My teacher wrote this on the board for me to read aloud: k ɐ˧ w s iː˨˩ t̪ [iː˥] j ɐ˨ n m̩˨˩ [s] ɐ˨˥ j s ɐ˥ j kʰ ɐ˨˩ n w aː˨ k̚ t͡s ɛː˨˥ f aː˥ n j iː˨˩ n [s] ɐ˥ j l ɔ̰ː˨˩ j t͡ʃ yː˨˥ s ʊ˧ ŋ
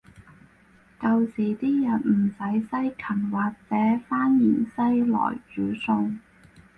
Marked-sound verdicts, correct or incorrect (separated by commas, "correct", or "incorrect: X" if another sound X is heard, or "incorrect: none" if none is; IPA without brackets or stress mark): correct, correct, correct